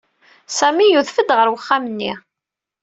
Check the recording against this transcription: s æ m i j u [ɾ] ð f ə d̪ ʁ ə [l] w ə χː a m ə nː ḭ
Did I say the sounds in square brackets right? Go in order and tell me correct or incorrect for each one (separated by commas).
incorrect, incorrect